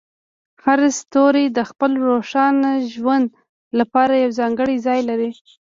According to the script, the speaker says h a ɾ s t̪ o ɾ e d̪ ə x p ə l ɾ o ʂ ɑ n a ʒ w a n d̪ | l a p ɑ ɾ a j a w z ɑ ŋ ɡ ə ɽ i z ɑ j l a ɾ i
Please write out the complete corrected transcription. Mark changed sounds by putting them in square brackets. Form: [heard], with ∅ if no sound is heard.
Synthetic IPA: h a ɾ s t̪ o ɾ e d̪ ə x p ə l ɾ o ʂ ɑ n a ʒ w a n d̪ | l a p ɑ ɾ a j a w z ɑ ŋ ɡ ə ɽ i z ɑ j l a ɾ i